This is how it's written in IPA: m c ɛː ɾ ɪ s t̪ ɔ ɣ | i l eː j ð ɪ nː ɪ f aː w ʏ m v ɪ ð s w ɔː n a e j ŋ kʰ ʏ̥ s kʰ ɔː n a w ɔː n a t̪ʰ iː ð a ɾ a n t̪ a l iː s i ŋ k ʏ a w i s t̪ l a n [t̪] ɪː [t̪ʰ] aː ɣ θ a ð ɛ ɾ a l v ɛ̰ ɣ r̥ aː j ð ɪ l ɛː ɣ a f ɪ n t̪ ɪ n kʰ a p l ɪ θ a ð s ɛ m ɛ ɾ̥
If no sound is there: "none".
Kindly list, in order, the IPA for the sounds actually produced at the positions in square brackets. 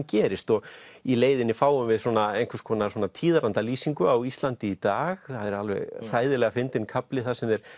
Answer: t̪, t̪

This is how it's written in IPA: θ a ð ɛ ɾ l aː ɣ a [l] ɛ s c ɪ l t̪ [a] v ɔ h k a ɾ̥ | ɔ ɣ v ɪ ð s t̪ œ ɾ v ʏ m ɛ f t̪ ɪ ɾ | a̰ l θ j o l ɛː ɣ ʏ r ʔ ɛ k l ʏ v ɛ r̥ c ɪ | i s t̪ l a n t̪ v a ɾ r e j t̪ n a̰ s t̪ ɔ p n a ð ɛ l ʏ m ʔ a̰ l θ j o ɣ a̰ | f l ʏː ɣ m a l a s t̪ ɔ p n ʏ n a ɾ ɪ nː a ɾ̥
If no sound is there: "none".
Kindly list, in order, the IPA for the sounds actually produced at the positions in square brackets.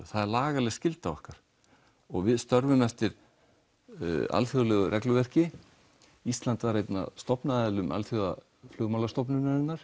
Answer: l, a

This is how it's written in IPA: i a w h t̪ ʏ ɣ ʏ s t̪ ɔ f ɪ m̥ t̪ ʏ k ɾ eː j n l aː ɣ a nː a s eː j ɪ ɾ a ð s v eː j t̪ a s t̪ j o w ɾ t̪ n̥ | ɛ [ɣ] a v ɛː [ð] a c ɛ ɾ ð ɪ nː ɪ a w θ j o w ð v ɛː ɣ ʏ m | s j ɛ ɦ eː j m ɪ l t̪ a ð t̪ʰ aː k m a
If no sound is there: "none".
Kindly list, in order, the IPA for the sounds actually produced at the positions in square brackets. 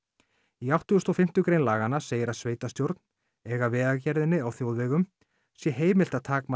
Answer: ɣ, ð

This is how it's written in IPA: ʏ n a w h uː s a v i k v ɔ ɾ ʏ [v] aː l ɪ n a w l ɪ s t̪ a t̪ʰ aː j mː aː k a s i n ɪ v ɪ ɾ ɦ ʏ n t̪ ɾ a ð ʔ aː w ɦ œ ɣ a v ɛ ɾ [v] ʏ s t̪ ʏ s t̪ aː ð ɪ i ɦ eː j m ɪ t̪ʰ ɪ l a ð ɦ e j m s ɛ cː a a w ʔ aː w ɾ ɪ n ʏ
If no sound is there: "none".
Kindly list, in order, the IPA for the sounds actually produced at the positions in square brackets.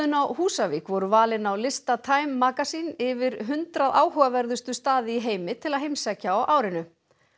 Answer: v, ð

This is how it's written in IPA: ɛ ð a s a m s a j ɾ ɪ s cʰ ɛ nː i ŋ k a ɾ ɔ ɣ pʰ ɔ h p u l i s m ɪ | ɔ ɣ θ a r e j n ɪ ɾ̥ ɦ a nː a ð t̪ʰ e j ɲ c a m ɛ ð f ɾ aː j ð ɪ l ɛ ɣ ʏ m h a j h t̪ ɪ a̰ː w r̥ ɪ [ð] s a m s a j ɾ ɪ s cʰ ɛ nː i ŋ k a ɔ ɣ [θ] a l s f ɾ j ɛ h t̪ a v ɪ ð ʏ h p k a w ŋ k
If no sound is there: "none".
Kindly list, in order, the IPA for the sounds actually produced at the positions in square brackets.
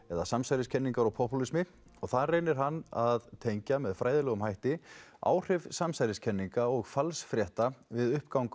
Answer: v, f

